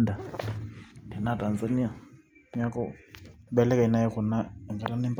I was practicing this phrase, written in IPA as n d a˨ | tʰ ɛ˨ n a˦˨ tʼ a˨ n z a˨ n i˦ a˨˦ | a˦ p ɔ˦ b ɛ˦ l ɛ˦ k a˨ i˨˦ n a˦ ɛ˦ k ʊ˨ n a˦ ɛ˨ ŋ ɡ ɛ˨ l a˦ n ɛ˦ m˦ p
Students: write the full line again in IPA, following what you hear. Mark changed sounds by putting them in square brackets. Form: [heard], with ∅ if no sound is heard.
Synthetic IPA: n d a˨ | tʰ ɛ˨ n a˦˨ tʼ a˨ n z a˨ n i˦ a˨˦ | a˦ [k] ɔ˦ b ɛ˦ l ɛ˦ k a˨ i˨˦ n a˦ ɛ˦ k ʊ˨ n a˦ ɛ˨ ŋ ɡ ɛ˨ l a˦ n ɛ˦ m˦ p